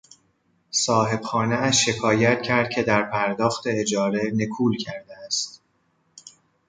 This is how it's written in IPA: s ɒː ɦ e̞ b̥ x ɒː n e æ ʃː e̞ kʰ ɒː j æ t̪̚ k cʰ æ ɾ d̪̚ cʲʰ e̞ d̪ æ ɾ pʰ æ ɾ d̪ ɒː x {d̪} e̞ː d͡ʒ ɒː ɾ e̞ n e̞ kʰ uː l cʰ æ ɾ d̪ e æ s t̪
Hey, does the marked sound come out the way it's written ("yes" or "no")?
no